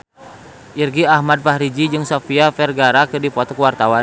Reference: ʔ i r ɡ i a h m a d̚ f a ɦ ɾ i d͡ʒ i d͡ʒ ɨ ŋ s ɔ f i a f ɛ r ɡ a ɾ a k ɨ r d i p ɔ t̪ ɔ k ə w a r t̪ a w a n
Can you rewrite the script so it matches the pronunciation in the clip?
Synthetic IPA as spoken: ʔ i r ɡ i a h m a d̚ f a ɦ ɾ i d͡ʒ i d͡ʒ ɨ ŋ s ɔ f i a f ɛ r ɡ a ɾ a k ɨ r d i p ɔ t̪ ɔ k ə w a r t̪ a w a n